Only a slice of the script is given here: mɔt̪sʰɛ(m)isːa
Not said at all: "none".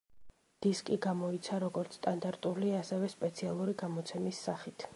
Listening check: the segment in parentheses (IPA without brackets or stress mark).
m